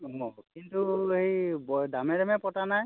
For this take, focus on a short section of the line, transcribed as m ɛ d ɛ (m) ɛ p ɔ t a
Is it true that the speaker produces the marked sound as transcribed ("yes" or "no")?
yes